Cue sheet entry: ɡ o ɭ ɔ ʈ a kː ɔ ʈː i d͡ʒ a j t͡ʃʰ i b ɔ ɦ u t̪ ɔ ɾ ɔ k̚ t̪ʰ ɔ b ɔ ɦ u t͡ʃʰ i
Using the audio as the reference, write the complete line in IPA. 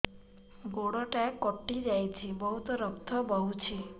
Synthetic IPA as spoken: ɡ o ɽ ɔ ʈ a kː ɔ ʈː i d͡ʒ a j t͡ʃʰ i b ɔ ɦ u t̪ ɔ ɾ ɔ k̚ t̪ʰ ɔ b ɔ ɦ u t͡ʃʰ i